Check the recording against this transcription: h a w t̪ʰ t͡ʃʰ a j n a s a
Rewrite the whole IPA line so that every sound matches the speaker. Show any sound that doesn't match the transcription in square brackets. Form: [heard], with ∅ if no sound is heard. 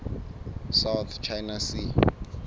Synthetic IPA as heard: [s] a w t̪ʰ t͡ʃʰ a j n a s [i]